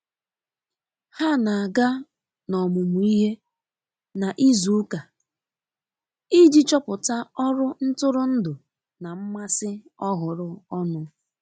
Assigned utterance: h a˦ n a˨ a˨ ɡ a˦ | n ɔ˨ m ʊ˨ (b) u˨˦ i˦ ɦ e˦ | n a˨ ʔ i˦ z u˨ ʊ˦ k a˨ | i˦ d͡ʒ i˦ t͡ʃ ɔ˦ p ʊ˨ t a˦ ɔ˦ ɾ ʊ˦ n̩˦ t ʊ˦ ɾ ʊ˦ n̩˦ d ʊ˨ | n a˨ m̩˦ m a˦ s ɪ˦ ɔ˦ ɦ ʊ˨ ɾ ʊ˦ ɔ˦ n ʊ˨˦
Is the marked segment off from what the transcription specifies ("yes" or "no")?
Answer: yes